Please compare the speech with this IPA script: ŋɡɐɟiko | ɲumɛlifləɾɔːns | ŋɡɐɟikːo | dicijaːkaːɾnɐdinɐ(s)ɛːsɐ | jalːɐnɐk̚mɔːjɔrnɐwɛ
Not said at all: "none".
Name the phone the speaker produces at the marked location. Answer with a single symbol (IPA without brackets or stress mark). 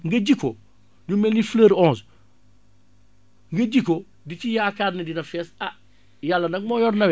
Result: f